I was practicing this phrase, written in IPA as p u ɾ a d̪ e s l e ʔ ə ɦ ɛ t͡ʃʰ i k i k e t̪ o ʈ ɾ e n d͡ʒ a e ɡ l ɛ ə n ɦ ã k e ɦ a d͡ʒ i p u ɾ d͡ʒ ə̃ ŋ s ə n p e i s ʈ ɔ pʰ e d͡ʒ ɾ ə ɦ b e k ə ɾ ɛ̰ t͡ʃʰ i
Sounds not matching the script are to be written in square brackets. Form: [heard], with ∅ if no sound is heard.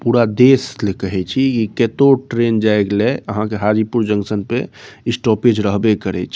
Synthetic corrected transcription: p u ɾ a d̪ e s l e [k] ə ɦ ɛ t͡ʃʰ i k i k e t̪ o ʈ ɾ e n d͡ʒ a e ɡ l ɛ ə [∅] ɦ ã k e ɦ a d͡ʒ i p u ɾ d͡ʒ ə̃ ŋ s ə n p e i s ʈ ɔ [p] e d͡ʒ ɾ ə ɦ b e k ə ɾ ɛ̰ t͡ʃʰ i